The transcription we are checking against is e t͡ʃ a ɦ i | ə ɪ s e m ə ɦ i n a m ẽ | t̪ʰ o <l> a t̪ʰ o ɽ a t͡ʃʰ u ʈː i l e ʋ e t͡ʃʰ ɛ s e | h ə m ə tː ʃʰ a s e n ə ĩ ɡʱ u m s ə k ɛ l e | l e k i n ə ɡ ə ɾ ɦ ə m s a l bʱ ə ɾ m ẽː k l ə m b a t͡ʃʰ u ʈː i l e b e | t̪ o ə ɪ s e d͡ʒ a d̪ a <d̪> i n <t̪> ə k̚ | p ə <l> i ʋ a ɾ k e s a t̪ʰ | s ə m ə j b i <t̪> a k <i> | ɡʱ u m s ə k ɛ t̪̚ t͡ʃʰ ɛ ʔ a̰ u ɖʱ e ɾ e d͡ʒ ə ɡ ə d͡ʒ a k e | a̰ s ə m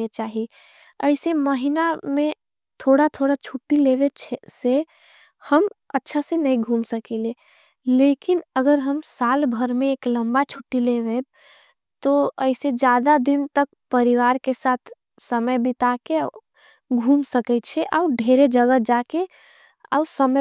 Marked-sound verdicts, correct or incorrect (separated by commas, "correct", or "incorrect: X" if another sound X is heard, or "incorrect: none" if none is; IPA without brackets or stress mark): incorrect: ɽ, correct, correct, incorrect: ɾ, correct, incorrect: e